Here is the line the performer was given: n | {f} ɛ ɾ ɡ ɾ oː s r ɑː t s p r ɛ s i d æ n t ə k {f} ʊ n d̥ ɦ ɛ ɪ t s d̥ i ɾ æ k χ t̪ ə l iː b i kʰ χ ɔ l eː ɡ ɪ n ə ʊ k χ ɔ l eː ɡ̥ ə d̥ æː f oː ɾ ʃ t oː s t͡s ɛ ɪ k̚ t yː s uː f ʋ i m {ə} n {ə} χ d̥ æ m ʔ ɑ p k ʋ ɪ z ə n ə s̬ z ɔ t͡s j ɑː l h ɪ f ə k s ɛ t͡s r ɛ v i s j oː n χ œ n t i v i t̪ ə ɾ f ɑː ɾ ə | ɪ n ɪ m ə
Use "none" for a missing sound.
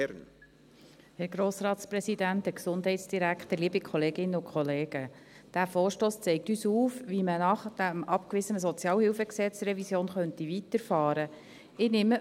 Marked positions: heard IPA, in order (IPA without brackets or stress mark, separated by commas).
h, s, ə, ɑ